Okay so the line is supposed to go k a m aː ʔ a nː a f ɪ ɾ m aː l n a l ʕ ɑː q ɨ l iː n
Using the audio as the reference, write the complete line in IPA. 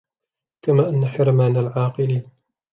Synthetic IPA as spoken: k a m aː ʔ a nː a ħ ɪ ɾ m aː n a l ʕ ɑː q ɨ l iː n

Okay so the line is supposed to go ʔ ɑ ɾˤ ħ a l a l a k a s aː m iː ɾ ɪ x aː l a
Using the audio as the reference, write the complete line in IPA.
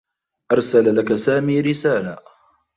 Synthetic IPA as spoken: ʔ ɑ ɾˤ s a l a l a k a s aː m iː ɾ ɪ s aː l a

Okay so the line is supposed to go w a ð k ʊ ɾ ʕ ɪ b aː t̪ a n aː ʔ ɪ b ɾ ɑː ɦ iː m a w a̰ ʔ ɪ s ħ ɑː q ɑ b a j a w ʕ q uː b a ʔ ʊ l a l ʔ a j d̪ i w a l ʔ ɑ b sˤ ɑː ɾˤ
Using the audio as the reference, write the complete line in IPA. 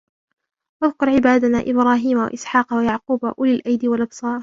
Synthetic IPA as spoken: w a ð k ʊ ɾ ʕ ɪ b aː d̪ a n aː ʔ ɪ b ɾ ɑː ɦ iː m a w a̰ ʔ ɪ s ħ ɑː q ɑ w a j a ʕ q uː b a ʔ ʊ l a l ʔ a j d̪ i w a l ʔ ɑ b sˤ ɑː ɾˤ

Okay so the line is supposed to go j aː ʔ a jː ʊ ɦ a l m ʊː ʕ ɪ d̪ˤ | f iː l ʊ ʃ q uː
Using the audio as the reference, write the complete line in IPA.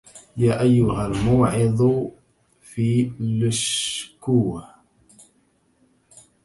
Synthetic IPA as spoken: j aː ʔ a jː ʊ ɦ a l m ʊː ʕ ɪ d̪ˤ | f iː l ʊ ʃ k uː

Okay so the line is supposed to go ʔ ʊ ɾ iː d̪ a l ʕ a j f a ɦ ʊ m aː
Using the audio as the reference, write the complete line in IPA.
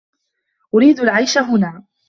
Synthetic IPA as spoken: ʔ ʊ ɾ iː d̪ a l ʕ a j ʃ a ɦ ʊ n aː

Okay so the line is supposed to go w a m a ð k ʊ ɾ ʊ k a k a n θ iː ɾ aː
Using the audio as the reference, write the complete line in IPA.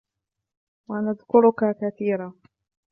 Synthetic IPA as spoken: w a n a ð k ʊ ɾ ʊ k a k a θ iː ɾ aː

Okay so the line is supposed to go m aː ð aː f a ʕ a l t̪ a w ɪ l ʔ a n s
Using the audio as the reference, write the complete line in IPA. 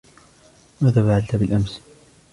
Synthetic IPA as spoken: m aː ð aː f a ʕ a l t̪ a b ɪ l ʔ a m s

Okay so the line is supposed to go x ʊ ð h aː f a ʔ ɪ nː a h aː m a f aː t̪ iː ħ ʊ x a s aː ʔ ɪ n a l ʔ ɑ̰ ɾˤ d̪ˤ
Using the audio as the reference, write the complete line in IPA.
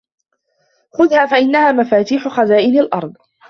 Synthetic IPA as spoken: x ʊ ð h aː f a ʔ ɪ nː a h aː m a f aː t̪ iː ħ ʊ x a z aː ʔ ɪ n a l ʔ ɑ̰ ɾˤ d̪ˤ

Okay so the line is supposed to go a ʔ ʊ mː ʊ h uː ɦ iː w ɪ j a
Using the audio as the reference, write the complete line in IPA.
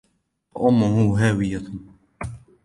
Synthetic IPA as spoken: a ʔ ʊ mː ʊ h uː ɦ aː w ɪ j a

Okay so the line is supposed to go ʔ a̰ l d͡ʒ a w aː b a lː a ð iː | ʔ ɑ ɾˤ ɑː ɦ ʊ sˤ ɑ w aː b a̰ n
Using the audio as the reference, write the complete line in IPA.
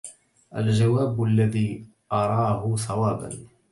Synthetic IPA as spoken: ʔ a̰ l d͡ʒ a w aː b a lː a ð iː | ʔ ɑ ɾˤ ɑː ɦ ʊ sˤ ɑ w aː b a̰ n

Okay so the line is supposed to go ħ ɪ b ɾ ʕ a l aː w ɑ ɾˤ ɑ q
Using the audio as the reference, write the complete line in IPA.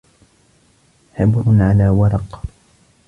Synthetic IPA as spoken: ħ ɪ b ɾ ʕ a l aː w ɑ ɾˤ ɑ q

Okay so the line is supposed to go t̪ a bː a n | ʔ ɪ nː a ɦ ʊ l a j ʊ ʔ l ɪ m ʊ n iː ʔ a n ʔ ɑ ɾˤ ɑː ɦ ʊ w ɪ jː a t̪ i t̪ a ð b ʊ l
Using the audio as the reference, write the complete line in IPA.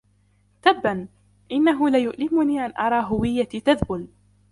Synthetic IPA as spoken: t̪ a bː a n | ʔ ɪ nː a ɦ ʊ l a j ʊ ʔ l ɪ m ʊ n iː ʔ a n ʔ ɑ ɾˤ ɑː ɦ ʊ w ɪ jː a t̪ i t̪ a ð b ʊ l

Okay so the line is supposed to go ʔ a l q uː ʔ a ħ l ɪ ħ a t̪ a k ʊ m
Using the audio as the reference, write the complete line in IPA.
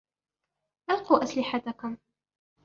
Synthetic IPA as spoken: ʔ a l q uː ʔ a s l ɪ ħ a t̪ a k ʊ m

